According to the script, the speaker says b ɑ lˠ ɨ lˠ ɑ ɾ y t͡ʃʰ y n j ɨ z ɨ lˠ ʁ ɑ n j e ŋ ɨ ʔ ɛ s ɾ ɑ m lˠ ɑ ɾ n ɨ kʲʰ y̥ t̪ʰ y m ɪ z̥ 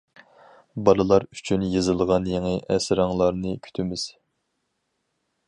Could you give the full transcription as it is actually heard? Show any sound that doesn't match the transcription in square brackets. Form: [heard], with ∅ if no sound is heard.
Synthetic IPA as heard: b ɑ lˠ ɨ lˠ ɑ ɾ y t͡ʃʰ y n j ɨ z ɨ lˠ ʁ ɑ n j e ŋ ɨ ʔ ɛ s ɾ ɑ [ŋ] lˠ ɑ ɾ n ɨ kʲʰ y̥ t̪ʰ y m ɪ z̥